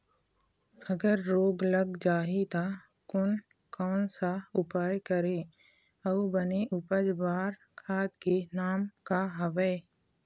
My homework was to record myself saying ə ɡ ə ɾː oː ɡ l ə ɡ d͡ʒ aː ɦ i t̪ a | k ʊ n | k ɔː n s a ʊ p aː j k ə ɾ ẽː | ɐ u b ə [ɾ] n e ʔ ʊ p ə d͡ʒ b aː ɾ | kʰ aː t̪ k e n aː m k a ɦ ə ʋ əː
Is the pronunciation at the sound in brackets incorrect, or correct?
incorrect